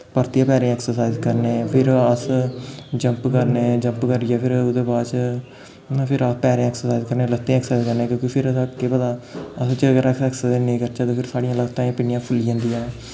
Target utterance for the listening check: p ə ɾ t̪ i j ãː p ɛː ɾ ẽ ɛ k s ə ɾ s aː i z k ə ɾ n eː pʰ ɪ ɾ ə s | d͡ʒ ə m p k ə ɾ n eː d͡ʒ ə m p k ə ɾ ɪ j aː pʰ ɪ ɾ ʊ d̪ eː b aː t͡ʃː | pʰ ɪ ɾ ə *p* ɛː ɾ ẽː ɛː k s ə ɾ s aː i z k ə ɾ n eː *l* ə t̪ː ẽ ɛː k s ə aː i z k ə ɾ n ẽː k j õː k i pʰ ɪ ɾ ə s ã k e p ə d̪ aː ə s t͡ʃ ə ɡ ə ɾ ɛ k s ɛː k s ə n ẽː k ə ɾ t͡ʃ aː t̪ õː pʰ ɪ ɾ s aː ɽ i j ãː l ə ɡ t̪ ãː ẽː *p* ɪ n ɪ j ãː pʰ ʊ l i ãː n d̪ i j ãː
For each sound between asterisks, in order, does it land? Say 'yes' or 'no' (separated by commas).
yes, yes, yes